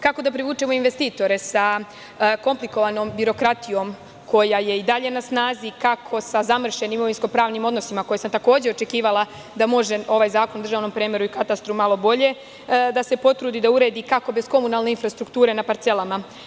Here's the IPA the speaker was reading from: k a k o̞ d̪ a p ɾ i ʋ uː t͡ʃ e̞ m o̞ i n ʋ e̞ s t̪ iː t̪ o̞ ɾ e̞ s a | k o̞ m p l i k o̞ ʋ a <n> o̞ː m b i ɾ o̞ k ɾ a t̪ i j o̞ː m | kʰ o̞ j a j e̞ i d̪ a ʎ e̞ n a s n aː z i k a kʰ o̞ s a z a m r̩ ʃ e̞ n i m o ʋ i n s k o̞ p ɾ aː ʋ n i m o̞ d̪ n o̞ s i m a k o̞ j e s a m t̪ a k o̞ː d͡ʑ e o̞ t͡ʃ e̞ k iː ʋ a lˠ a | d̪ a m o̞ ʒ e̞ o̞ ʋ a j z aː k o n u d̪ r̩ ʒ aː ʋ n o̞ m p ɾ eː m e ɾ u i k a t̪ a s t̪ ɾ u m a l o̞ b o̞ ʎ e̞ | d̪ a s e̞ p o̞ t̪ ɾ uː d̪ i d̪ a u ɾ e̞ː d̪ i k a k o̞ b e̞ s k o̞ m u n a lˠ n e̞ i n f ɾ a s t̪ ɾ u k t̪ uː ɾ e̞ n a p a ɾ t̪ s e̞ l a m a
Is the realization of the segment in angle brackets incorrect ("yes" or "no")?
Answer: no